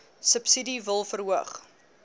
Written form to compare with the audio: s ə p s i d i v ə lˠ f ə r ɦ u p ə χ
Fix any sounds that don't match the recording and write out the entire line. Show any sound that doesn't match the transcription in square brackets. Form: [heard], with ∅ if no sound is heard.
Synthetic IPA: s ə p s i d i v ə lˠ f ə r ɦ u [∅] ə χ